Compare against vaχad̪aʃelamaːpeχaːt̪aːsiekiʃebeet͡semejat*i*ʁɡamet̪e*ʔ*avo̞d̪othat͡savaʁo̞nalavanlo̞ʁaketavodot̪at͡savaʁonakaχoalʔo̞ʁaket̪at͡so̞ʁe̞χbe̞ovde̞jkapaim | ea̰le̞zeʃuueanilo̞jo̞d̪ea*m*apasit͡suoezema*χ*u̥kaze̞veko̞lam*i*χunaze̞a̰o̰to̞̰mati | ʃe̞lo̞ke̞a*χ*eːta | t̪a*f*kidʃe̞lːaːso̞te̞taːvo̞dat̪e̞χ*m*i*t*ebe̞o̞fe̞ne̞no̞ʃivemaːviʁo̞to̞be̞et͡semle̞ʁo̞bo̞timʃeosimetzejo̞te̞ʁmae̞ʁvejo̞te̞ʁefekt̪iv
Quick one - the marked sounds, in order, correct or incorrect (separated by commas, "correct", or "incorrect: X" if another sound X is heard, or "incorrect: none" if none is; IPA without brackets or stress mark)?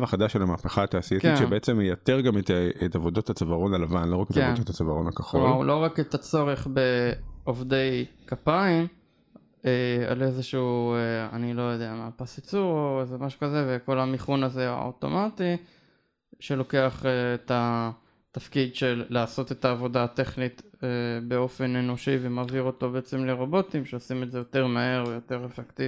incorrect: e, incorrect: t, correct, incorrect: ʃ, correct, correct, correct, incorrect: n, correct